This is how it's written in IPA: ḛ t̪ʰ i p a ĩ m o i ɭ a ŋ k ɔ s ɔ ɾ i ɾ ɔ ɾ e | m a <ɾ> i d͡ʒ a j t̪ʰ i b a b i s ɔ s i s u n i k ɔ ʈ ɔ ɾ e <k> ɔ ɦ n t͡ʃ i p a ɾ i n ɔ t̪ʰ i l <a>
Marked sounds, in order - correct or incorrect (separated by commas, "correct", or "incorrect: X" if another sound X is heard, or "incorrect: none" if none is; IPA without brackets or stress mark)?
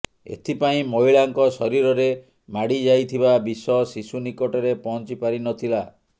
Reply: incorrect: ɽ, incorrect: p, correct